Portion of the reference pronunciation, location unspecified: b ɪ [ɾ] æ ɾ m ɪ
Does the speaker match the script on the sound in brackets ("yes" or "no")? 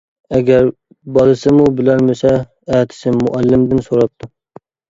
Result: no